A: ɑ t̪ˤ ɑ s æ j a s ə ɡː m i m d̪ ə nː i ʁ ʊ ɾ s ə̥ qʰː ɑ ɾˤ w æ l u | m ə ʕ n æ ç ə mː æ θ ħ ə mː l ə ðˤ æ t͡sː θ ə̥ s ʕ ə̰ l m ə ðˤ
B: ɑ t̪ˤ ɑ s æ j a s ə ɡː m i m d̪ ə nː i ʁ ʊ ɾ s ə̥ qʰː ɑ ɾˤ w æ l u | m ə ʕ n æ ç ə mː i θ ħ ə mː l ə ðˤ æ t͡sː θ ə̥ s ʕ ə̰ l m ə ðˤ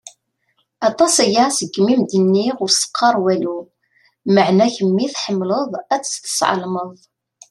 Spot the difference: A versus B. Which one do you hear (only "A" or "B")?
B